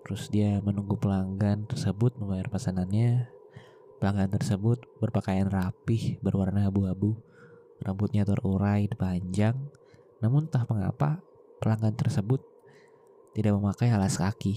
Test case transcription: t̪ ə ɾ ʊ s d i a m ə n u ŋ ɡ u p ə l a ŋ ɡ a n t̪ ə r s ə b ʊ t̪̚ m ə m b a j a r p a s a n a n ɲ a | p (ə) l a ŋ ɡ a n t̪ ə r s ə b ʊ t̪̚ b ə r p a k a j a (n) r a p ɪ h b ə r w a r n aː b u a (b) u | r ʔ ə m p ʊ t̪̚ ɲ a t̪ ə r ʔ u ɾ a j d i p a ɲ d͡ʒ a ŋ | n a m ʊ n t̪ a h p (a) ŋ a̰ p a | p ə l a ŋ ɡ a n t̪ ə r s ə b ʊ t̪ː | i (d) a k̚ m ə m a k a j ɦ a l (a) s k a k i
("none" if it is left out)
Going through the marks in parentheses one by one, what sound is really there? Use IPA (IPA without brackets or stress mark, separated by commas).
ə, n, b, ə, d, a